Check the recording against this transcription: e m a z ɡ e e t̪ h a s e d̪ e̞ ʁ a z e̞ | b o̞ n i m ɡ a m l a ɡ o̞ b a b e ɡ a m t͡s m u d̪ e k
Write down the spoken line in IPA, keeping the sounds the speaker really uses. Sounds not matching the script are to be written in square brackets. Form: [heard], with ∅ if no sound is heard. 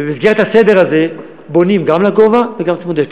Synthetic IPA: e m [i] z ɡ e e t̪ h a s e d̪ e̞ ʁ a z e̞ | b o̞ n i m ɡ a m l a ɡ o̞ [v] a [v] e ɡ a m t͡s m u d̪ e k